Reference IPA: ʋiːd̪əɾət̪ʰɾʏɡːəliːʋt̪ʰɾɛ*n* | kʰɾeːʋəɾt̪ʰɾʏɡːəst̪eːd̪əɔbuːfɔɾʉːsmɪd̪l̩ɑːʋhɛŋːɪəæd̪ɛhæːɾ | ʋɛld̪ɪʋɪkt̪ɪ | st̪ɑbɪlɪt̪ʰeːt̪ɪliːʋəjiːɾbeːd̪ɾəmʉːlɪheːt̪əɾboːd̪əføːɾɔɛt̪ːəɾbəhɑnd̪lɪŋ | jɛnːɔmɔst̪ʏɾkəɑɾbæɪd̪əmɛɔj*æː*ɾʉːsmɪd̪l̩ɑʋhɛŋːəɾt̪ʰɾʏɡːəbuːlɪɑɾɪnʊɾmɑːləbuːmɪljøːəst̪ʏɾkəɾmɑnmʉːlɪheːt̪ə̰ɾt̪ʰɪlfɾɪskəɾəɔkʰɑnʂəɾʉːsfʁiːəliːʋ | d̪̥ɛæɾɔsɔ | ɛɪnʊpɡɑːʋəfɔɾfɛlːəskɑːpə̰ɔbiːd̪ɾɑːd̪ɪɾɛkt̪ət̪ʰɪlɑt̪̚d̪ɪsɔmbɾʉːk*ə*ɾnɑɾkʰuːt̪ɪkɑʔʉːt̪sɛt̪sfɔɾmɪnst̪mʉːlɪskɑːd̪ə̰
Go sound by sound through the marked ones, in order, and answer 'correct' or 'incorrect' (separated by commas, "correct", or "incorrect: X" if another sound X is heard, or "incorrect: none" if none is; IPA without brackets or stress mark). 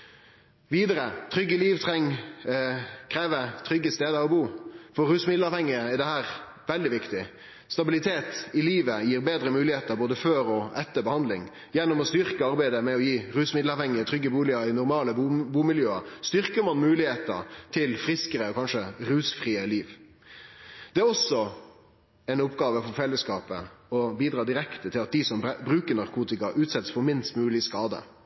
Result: incorrect: ŋ, incorrect: iː, correct